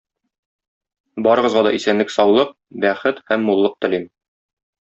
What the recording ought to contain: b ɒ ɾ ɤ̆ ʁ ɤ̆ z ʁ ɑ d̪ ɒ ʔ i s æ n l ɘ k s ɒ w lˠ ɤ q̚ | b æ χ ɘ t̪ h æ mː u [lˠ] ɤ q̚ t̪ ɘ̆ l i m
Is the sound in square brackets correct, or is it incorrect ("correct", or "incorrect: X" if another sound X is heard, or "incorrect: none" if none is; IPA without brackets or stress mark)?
incorrect: lˠː